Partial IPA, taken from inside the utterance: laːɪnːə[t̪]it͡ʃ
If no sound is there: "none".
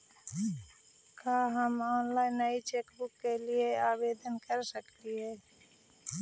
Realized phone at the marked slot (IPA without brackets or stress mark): none